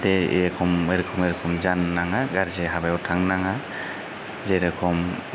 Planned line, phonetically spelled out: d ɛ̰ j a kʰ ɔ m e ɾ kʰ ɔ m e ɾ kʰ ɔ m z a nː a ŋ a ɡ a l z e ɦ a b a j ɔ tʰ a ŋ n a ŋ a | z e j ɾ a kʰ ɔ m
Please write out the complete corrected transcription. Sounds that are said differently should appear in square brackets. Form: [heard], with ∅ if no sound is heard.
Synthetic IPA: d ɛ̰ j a kʰ ɔ m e ɾ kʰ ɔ m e ɾ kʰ ɔ m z a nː a ŋ a ɡ a [ɾ] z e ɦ a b a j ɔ tʰ a ŋ n a ŋ a | z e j ɾ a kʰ ɔ m